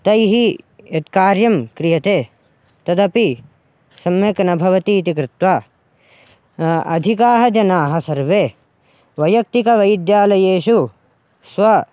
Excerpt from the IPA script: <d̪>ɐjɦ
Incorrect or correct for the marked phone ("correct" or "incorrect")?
incorrect